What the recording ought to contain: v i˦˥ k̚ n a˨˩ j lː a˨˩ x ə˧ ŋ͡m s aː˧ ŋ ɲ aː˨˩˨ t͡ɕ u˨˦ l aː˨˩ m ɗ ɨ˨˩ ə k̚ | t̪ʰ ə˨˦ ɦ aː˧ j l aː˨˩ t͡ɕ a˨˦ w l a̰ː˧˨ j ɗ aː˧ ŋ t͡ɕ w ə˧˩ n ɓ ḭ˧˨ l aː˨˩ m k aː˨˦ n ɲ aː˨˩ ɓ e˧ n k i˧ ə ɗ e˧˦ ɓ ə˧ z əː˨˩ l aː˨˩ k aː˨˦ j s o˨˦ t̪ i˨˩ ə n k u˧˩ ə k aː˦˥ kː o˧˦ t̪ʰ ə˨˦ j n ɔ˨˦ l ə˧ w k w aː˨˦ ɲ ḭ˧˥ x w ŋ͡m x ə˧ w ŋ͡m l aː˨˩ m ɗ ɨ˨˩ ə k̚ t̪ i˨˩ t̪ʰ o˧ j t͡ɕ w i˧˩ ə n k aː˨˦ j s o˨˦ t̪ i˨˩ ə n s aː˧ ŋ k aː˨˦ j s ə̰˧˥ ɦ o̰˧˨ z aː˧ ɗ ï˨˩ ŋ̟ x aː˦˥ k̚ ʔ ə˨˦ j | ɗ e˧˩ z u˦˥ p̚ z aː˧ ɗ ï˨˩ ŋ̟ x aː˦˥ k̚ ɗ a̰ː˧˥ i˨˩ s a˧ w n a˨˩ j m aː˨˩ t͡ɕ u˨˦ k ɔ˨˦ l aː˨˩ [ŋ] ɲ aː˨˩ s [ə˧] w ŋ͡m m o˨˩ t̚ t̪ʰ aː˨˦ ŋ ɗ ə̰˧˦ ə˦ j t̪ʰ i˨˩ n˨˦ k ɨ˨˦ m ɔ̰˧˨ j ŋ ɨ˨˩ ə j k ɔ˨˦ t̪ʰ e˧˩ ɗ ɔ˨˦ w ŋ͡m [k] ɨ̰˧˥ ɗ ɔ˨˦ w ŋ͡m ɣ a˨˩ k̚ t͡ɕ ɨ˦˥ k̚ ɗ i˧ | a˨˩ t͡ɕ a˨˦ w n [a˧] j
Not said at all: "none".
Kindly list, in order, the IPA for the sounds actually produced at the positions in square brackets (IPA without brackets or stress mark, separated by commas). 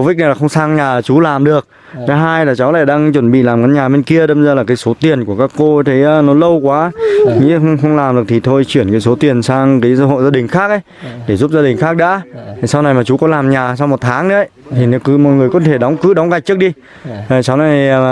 m, a˧, k, a˨˩